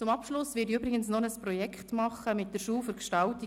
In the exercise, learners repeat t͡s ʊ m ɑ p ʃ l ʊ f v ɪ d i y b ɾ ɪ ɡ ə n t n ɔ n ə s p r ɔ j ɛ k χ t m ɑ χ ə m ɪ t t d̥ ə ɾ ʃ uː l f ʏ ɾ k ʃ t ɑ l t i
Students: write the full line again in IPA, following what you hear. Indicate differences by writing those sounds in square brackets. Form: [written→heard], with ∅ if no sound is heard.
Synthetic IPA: t͡s ʊ m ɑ p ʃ l ʊ [f→s] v ɪ d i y b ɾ ɪ ɡ ə n [t→s] n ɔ n ə s p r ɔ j ɛ k χ t m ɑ χ ə m ɪ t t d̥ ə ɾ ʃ uː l f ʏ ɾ k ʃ t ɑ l t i

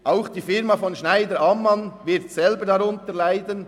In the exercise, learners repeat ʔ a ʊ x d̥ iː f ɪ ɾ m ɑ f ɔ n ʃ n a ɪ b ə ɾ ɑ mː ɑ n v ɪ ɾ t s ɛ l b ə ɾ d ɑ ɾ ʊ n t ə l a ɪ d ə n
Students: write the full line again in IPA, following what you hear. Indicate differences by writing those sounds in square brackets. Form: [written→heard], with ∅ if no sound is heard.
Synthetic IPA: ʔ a ʊ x d̥ iː f ɪ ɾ m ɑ f ɔ n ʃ n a ɪ [b→d] ə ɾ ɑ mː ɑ n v ɪ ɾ t s ɛ l b ə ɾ d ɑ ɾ ʊ n t ə l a ɪ d ə n

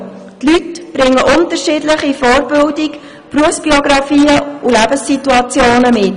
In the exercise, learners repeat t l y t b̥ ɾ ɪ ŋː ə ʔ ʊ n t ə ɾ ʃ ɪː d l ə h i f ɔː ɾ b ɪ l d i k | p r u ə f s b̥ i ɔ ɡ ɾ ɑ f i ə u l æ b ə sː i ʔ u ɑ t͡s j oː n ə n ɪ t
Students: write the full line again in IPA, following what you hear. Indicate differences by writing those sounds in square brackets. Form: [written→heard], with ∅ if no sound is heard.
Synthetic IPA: t l y t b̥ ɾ ɪ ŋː ə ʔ ʊ n t ə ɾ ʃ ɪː d l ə [h→χ] i f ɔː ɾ b ɪ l d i k | p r u ə f s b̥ i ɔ ɡ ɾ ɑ f [i→iː] ə u l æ b ə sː i [ʔ→t] u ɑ t͡s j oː n ə [n→m] ɪ t

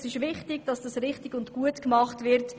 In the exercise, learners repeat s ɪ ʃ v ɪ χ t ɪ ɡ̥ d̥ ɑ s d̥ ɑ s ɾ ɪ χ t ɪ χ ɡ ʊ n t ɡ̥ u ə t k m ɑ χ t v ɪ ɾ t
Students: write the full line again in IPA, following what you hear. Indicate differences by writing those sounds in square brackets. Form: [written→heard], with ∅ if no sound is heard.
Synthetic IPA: s ɪ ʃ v ɪ χ t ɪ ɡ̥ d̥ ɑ s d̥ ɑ s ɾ ɪ χ t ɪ [χ→∅] ɡ ʊ n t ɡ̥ u ə t k m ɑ χ t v ɪ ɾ t

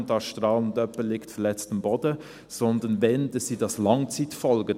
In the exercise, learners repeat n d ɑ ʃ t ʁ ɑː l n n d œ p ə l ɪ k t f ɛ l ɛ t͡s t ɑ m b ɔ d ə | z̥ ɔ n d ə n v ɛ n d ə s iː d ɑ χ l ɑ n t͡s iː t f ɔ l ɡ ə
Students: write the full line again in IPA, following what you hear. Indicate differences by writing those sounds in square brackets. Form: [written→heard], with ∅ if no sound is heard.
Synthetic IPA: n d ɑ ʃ t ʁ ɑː l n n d œ p ə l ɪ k t f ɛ l ɛ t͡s t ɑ m b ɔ d ə | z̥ ɔ n d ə n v ɛ n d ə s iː d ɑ [χ→s] l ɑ [n→ŋ] t͡s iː t f ɔ l ɡ ə

